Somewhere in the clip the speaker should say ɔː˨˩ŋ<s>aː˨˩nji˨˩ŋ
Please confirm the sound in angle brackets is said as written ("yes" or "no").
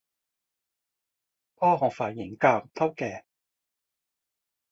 no